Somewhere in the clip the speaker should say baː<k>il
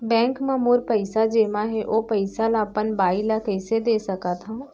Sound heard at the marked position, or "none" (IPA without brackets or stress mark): none